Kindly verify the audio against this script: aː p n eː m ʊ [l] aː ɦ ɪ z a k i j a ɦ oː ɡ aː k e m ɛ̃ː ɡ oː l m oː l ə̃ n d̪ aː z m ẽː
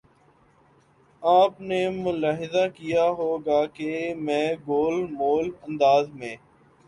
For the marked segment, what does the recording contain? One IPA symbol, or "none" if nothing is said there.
l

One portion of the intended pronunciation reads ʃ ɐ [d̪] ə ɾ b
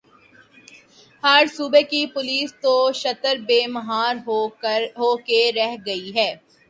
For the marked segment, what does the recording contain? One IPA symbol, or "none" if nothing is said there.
t̪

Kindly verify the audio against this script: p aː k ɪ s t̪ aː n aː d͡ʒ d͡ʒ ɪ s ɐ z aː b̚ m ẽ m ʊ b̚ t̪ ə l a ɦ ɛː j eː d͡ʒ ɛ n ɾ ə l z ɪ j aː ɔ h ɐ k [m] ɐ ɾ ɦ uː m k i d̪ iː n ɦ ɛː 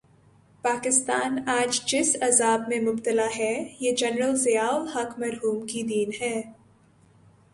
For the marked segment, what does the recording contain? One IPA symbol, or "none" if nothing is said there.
m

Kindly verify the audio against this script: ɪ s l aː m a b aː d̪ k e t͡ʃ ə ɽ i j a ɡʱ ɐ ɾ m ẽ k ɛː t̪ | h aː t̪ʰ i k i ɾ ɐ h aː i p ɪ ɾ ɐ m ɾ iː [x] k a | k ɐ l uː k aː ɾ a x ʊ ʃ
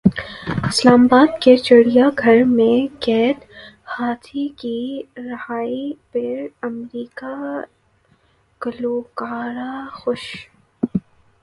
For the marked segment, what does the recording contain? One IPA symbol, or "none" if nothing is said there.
none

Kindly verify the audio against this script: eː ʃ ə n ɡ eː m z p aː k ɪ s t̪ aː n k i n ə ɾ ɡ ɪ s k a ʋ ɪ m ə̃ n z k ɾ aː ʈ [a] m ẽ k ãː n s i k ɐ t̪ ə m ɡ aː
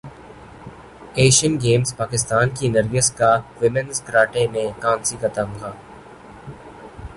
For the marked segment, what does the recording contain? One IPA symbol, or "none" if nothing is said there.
e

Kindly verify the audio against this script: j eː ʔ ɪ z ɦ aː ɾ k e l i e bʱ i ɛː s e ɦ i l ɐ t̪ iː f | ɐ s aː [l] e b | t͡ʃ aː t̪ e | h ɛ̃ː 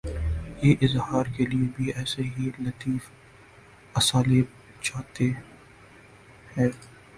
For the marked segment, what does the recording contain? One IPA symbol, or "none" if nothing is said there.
l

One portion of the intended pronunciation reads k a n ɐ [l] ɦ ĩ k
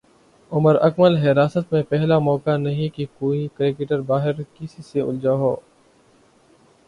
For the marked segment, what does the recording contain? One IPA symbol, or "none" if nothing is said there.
none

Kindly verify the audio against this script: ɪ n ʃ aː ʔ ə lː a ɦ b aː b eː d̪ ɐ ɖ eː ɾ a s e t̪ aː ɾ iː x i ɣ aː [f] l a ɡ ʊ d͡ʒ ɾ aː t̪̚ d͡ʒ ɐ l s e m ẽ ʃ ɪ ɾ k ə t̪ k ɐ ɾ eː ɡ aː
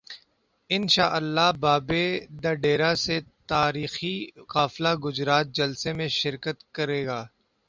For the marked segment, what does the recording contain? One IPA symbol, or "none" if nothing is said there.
f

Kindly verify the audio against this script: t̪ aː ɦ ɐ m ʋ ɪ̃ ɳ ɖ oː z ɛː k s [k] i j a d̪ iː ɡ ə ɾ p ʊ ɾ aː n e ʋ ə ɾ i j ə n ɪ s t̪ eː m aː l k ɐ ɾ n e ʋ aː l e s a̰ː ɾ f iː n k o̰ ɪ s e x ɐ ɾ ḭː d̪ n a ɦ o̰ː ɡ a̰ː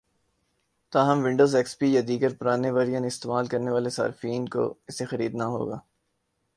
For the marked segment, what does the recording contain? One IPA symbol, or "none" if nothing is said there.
p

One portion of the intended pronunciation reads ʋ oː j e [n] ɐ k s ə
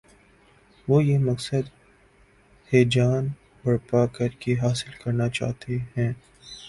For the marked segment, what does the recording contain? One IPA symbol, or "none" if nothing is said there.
m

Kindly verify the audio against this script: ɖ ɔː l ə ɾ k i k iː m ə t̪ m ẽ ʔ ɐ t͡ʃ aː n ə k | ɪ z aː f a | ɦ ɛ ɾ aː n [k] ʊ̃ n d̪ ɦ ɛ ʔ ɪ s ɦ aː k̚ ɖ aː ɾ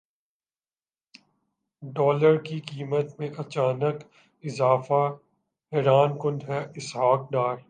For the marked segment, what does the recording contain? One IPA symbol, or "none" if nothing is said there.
k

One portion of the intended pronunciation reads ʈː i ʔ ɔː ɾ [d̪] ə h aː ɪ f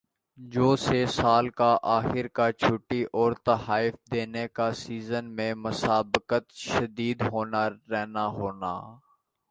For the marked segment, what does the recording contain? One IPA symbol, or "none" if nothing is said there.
t̪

